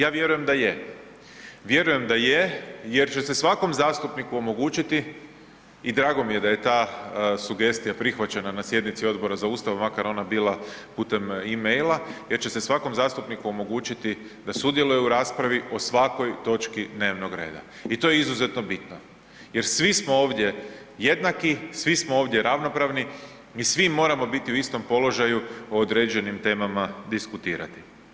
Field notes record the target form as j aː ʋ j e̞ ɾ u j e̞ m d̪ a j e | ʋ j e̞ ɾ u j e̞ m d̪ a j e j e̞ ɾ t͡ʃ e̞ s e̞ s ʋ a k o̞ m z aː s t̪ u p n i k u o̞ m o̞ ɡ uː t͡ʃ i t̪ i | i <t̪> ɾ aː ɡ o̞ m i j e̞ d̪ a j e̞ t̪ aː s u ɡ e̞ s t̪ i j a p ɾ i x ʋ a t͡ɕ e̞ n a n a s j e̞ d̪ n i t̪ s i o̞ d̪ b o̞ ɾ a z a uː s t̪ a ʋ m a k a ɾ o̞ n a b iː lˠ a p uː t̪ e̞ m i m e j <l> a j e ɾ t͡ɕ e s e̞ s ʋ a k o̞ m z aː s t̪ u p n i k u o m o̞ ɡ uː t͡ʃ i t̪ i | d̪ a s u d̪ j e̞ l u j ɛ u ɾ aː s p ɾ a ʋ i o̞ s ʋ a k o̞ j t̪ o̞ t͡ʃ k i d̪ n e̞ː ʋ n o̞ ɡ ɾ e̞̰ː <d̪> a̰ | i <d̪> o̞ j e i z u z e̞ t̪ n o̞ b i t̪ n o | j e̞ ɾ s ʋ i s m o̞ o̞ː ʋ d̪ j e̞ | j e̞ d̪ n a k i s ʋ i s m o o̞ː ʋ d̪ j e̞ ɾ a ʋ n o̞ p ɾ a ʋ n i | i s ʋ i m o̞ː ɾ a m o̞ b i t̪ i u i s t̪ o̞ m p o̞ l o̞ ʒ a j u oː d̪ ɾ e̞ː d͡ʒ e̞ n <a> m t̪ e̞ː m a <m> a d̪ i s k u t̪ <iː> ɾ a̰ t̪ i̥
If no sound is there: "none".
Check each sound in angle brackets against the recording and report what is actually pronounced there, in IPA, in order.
d̪, l, d̪, t̪, i, m, iː

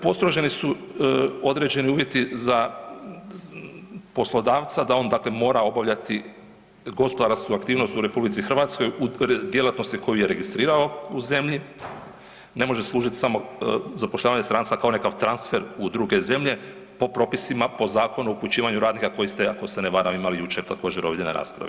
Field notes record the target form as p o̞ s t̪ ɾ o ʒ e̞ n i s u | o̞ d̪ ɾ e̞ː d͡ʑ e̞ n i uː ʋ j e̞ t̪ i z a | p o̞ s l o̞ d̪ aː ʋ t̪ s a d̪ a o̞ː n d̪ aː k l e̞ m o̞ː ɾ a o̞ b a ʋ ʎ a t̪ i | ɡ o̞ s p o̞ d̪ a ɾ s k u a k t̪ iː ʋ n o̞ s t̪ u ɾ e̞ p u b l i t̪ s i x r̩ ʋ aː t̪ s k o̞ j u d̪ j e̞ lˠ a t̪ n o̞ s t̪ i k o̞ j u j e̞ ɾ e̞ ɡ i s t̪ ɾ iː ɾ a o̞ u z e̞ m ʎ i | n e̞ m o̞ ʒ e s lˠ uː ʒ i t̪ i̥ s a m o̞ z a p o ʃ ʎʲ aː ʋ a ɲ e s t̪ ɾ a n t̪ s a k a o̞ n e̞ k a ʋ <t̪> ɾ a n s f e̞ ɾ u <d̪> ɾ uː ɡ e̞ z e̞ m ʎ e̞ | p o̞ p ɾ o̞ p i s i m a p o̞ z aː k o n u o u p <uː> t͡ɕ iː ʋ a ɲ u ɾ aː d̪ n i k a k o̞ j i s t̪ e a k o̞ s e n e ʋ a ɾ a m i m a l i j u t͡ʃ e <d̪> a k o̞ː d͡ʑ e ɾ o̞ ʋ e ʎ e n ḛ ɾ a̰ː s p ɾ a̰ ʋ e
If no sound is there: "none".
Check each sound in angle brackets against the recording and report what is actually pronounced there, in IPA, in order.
t̪, d̪, u, t̪

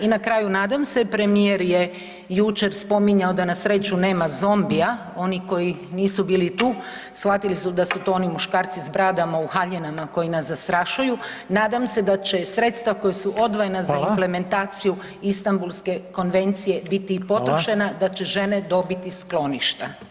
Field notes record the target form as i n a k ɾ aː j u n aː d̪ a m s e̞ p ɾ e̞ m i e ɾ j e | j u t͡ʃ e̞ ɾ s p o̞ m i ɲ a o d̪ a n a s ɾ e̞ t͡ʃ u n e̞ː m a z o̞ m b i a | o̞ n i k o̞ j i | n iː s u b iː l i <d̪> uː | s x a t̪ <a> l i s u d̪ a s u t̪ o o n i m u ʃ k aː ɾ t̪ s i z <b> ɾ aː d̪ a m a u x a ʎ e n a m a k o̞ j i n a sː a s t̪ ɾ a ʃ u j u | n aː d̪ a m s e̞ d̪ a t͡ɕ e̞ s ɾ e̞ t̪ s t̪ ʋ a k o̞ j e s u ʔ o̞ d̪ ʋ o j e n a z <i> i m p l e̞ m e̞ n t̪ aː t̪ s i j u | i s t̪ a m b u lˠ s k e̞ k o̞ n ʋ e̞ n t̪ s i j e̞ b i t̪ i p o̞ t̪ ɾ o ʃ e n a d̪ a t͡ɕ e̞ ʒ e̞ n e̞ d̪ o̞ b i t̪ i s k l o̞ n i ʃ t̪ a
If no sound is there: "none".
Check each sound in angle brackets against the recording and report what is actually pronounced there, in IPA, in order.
t̪, i, b, a

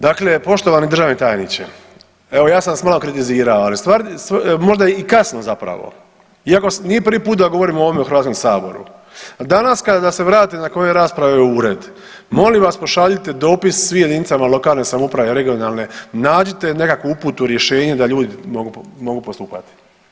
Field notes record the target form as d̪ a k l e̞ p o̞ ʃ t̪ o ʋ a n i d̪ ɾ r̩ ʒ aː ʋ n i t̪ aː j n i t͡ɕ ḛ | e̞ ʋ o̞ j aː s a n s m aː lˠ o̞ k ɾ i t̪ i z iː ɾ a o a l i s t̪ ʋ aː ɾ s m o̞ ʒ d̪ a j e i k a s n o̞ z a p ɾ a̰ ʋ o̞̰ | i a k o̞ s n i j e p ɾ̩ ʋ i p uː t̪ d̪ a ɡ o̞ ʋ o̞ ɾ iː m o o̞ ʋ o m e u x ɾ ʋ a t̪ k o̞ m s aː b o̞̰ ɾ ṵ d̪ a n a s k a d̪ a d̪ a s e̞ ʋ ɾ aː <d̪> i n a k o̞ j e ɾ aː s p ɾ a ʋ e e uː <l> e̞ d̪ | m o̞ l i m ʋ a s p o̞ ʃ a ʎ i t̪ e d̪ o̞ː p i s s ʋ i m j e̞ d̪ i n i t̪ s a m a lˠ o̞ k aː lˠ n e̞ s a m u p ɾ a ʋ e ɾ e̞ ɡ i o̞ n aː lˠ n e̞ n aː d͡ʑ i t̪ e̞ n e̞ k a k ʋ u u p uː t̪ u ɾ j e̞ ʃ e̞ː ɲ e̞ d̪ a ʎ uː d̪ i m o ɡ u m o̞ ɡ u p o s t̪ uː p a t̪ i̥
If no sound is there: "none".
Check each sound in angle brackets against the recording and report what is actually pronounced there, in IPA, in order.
t̪, ɾ

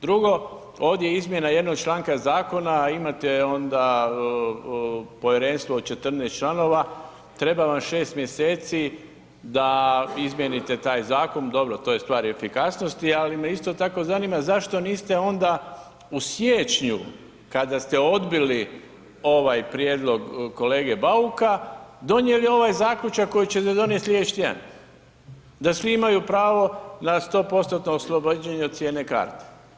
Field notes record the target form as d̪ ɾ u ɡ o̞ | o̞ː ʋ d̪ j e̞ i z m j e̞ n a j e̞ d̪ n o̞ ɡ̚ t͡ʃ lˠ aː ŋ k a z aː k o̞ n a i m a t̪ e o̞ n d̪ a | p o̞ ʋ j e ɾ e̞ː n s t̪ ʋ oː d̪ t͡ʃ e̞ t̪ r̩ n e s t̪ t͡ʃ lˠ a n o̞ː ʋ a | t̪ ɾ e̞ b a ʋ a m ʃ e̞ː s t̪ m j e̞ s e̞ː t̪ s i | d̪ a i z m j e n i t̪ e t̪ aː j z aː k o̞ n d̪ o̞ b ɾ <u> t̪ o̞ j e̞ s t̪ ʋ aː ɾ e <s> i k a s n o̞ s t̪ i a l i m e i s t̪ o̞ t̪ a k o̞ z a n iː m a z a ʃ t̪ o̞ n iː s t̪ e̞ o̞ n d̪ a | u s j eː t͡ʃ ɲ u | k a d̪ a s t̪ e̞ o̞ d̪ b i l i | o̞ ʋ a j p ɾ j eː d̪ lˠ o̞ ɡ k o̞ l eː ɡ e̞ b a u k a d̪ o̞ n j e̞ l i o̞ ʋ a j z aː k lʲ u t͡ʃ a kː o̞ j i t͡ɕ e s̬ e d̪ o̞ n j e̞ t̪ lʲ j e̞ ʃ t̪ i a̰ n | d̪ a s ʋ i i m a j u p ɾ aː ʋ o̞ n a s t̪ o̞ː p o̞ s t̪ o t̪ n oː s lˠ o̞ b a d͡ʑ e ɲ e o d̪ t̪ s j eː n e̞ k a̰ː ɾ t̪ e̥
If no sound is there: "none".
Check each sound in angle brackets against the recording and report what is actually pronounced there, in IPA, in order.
o, f

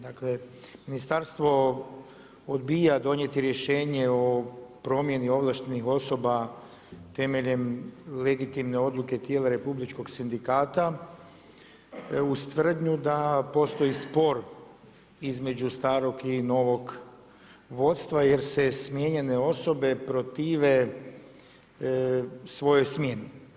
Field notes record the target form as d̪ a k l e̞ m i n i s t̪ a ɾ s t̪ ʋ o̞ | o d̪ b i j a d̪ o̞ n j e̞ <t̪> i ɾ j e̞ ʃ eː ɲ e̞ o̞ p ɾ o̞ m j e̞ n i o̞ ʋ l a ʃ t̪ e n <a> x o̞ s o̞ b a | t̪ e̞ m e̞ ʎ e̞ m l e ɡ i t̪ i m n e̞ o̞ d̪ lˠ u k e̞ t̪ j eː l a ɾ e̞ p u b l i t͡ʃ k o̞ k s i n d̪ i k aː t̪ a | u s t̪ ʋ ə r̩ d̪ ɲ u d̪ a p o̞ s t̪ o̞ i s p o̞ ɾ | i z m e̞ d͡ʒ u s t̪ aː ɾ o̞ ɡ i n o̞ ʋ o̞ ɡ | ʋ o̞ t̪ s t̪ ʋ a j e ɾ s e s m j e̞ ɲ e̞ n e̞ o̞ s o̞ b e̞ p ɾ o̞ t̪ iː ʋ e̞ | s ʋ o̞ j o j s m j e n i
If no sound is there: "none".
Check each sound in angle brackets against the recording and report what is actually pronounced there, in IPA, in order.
t̪, i

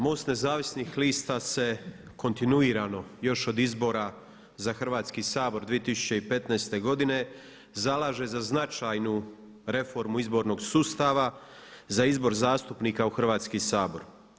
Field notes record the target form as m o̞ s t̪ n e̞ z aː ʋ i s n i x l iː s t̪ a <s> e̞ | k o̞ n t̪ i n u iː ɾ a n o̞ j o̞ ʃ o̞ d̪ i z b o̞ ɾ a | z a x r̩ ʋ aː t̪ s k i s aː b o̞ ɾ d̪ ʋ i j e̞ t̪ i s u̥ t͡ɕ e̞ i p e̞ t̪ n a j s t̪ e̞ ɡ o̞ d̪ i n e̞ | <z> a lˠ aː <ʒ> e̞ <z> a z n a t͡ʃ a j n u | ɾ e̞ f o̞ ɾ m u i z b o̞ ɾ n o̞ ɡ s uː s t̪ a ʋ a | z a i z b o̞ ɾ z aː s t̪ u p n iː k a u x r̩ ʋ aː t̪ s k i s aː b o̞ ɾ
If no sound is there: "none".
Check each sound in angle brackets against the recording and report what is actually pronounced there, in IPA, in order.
s, z, ʒ, z

